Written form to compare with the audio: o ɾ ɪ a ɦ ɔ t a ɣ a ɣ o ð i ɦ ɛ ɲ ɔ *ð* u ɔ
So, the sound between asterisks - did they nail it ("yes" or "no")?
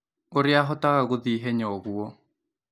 no